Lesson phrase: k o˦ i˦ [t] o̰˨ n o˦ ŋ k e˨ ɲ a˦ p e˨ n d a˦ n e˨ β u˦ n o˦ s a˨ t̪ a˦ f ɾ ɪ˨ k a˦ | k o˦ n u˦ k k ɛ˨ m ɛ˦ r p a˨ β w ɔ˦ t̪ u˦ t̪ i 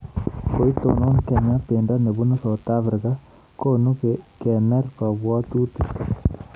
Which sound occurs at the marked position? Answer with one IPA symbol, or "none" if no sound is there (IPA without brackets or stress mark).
t